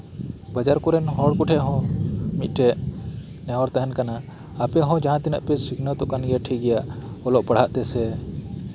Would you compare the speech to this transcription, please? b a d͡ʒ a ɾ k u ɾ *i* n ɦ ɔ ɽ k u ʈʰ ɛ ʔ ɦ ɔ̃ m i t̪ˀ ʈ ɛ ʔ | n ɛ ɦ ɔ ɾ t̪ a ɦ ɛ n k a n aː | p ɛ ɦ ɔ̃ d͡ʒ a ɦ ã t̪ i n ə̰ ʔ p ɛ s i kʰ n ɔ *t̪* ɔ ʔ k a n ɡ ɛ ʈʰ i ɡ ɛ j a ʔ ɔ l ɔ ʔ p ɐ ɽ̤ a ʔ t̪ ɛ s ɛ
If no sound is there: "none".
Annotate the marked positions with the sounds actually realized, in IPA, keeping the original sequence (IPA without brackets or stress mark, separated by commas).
ɛ, t̪